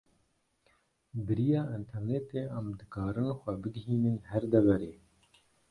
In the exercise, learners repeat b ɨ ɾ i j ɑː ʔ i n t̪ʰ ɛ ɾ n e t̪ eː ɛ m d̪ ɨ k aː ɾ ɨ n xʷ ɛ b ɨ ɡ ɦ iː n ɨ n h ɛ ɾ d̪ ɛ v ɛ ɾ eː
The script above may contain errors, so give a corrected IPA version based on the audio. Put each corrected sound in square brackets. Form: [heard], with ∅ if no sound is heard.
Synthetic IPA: b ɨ ɾ i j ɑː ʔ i n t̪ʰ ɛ ɾ n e t̪ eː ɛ m d̪ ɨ k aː ɾ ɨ n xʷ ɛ b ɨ ɡ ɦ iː n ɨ n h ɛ ɾ d̪ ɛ v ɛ ɾ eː